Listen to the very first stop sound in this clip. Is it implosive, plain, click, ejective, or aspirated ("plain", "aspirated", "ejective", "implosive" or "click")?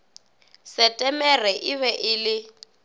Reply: ejective